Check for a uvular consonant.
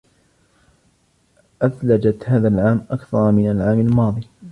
absent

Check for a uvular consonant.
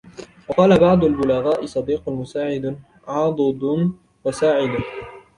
present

